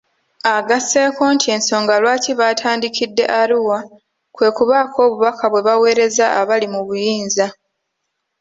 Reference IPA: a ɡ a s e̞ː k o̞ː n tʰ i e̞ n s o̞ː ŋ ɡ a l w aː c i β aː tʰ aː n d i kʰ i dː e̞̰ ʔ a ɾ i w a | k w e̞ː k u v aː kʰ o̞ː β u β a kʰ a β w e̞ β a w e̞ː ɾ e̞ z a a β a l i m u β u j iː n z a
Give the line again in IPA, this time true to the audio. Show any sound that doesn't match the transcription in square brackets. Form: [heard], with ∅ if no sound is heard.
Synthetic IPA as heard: a ɡ a s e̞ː k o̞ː n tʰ i e̞ n s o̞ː ŋ ɡ a l w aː c i β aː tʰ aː n d i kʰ i dː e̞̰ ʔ a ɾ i w a | k w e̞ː k u [β] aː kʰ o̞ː β u β a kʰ a β w e̞ β a w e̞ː ɾ e̞ z a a β a l i m u β u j iː n z a